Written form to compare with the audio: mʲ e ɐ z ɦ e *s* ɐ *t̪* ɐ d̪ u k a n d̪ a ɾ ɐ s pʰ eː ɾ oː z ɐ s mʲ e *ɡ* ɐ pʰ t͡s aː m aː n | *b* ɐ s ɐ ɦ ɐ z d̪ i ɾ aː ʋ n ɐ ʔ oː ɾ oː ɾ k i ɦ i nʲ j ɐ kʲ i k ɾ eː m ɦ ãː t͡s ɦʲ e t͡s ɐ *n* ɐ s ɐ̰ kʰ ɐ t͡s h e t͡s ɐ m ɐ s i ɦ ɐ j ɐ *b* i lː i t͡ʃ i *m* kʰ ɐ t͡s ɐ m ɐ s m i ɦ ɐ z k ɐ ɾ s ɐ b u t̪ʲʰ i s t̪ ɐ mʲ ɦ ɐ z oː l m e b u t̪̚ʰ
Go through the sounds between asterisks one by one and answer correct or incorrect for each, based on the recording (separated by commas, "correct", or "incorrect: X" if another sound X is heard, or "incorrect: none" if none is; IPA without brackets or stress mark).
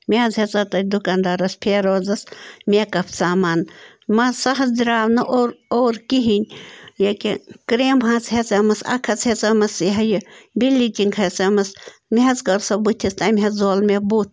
incorrect: t͡s, correct, incorrect: k, incorrect: m, incorrect: m, correct, incorrect: ŋ